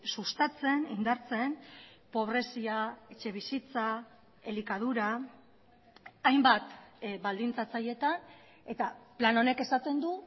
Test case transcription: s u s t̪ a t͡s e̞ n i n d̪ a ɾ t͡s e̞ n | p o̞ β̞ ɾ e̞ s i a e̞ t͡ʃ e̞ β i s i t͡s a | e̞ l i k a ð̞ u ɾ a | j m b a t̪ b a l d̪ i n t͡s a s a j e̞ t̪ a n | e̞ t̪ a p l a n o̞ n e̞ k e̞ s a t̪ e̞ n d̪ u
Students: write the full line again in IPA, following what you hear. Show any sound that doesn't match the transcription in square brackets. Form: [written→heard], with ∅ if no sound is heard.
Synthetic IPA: s u s t̪ a t͡s e̞ n i n d̪ a ɾ t͡s e̞ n | p o̞ β̞ ɾ e̞ s i a e̞ t͡ʃ e̞ β i s i t͡s a | e̞ l i k a ð̞ u ɾ a | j m b a t̪ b a l d̪ i n t͡s a [s→t͡s] a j e̞ t̪ a n | e̞ t̪ a p l a n o̞ n e̞ k e̞ s a t̪ e̞ n d̪ u

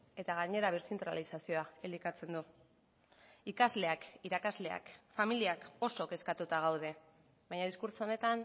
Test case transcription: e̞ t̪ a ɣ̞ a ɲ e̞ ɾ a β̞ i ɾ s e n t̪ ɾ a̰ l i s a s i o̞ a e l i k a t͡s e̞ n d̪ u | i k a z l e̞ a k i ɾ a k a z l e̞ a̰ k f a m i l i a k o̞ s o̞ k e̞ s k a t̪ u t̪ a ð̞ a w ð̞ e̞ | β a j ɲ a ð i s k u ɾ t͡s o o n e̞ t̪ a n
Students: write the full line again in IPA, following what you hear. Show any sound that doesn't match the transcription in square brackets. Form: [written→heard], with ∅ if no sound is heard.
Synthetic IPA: e̞ t̪ a ɣ̞ a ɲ e̞ ɾ a β̞ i ɾ s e n t̪ ɾ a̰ l i s a s i o̞ a e l i k a t͡s e̞ n d̪ u | i k a z l e̞ a k i ɾ a k a z l e̞ a̰ k f a m i l i a k o̞ s o̞ k e̞ s k a t̪ u t̪ a [ð̞→ɣ̞] a w ð̞ e̞ | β a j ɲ a ð i s k u ɾ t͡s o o n e̞ t̪ a n

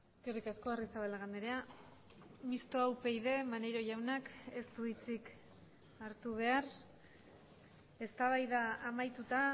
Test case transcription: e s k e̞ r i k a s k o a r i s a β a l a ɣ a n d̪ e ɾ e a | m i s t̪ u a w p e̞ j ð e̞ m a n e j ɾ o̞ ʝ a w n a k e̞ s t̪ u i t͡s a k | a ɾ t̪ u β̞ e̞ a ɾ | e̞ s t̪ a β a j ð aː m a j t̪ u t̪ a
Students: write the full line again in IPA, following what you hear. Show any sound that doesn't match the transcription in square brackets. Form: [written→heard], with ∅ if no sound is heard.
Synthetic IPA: e s k e̞ r i k a s k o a r i s a β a l a ɣ a n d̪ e ɾ e a | m i s t̪ [u→o] a w p e̞ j ð e̞ m a n e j ɾ o̞ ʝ a w n a k e̞ s t̪ u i t͡s [a→i] k | a ɾ t̪ u β̞ e̞ a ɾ | e̞ s t̪ a β a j ð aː m a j t̪ u t̪ a

